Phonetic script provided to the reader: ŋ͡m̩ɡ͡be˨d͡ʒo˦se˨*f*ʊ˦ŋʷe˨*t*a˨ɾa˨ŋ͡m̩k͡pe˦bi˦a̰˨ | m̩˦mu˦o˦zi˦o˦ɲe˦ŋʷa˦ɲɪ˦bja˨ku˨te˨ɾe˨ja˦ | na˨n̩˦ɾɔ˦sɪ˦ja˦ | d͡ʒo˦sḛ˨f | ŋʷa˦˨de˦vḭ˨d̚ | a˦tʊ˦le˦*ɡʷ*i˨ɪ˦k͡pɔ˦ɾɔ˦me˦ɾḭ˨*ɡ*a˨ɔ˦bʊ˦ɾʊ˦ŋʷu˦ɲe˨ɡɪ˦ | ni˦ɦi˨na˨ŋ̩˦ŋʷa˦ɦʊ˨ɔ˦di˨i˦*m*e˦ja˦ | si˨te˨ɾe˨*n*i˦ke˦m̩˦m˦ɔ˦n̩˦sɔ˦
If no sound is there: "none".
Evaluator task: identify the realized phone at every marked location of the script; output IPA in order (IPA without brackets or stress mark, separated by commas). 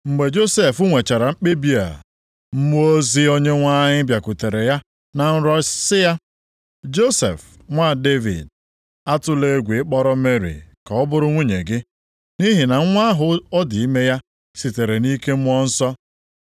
f, t͡ʃ, ɡʷ, k, m, n